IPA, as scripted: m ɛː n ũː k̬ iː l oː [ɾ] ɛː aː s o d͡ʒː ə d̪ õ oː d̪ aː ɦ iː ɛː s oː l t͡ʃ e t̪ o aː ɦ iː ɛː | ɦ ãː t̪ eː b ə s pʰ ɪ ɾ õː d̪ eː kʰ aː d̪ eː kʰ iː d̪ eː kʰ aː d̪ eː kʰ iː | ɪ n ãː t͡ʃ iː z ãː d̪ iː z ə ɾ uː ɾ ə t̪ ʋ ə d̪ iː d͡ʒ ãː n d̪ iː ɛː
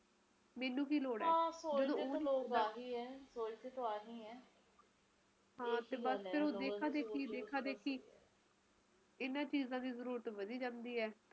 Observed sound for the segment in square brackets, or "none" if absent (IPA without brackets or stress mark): ɽ